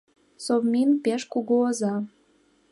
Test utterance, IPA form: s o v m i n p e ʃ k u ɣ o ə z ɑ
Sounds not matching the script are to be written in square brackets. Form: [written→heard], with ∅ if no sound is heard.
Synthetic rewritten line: s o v m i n p e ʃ k u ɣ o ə z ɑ